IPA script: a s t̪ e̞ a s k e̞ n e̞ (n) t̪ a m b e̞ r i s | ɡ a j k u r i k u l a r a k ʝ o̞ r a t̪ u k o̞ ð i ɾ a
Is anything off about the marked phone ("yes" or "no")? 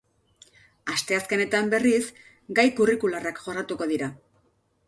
yes